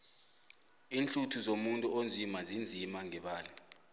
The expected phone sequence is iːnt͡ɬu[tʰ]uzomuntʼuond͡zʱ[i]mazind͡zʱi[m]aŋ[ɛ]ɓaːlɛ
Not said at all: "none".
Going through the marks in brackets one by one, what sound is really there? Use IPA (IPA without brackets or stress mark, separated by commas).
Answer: tʰ, i, m, ɛ